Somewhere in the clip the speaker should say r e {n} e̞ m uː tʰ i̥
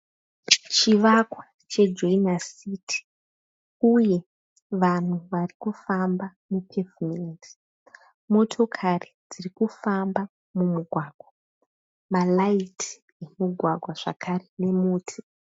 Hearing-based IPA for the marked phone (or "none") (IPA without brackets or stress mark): n